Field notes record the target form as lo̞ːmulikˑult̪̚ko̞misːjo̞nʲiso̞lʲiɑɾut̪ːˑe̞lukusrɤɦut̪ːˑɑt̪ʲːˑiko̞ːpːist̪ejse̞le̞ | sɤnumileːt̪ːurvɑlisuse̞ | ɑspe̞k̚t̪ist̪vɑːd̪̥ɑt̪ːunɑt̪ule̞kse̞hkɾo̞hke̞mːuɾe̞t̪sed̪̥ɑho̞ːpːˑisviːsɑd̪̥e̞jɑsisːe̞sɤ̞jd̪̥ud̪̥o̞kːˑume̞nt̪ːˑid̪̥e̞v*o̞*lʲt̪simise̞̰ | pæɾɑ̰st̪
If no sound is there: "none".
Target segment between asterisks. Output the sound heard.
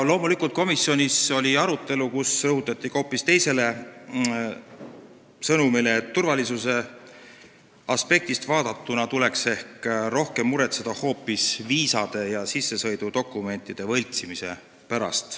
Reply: ɤ̞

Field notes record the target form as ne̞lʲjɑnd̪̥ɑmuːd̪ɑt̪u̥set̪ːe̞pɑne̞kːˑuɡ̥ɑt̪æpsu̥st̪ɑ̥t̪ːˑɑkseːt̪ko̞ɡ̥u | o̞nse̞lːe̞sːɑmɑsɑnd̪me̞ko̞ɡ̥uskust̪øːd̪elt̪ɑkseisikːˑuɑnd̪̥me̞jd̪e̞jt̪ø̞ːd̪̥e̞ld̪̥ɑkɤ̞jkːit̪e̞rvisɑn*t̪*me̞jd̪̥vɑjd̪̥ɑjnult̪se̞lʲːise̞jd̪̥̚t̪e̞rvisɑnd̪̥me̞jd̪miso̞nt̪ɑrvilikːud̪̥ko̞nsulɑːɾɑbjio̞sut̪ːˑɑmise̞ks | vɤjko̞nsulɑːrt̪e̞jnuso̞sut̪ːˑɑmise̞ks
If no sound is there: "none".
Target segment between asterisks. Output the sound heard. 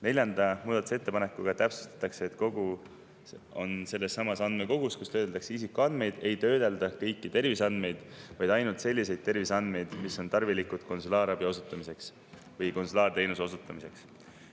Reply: d̪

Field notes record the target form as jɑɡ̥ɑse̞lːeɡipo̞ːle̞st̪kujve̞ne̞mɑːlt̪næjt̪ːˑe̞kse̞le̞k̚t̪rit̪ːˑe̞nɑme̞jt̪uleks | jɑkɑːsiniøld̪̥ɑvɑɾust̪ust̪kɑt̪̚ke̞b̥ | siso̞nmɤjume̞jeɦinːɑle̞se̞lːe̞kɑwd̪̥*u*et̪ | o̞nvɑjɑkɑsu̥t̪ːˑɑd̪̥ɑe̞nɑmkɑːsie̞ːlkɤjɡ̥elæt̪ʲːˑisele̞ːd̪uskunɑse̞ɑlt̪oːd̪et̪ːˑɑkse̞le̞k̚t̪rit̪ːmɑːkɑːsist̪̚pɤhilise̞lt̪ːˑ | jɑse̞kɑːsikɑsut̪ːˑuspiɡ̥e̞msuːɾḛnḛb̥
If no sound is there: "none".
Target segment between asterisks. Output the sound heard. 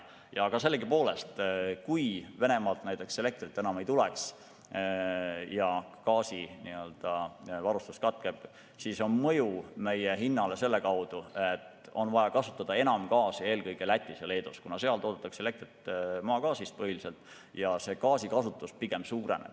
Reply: u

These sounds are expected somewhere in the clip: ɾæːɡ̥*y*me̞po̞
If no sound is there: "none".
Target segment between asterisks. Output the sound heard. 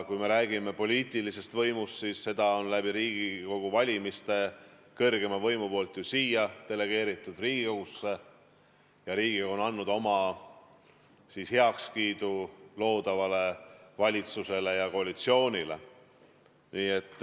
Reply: i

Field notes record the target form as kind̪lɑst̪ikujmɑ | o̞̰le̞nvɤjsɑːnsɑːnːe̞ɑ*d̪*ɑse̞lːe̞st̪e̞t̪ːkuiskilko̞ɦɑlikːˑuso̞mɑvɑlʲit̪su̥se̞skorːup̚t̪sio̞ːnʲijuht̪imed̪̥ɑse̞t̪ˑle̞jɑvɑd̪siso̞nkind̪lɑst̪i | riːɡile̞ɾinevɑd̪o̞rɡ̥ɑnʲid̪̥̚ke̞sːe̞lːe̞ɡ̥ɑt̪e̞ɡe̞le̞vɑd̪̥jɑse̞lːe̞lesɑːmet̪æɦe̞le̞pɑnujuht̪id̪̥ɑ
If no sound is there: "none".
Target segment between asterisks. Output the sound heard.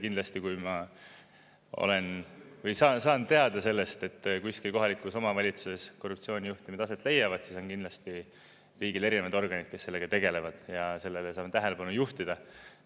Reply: d̪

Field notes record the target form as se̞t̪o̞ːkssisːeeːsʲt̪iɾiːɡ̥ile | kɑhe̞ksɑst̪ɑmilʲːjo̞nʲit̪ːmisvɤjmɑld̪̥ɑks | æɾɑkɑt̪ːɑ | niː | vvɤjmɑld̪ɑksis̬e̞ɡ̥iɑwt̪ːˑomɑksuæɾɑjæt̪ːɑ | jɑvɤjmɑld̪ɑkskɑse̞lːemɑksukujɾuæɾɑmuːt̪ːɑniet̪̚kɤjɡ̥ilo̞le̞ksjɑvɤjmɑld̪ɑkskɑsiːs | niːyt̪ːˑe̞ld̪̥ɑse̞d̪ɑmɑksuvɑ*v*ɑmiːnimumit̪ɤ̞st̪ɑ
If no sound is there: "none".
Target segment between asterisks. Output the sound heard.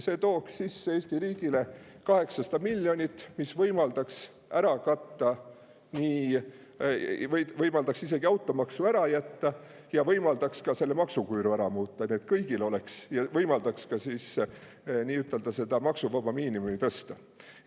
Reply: b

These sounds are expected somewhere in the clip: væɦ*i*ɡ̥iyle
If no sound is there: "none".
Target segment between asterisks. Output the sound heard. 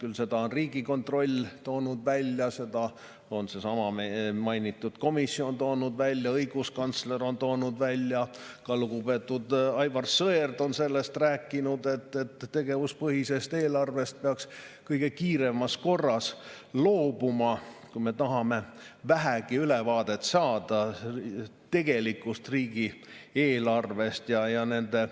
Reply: æ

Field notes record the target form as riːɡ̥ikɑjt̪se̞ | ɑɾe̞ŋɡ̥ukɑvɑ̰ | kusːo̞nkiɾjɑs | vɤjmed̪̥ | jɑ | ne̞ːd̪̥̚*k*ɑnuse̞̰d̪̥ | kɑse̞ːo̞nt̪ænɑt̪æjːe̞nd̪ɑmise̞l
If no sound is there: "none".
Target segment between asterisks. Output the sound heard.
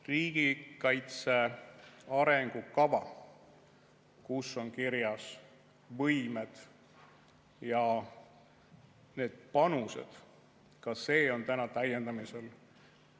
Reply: p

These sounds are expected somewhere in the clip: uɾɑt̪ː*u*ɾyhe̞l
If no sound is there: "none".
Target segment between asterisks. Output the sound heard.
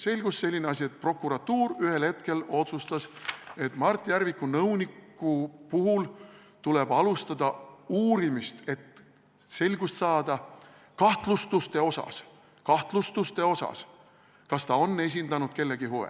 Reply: uː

